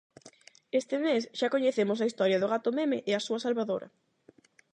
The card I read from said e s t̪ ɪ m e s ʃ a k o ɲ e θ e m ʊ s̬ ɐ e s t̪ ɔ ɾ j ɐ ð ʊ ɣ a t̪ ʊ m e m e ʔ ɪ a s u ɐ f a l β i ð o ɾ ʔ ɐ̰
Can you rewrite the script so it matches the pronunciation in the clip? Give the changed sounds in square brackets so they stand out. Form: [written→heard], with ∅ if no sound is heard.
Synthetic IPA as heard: e s t̪ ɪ m e s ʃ a k o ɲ e θ e m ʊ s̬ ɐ [e→i] s t̪ ɔ ɾ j ɐ ð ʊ ɣ a t̪ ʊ m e m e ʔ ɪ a s u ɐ [f→s] a l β [i→a] ð o ɾ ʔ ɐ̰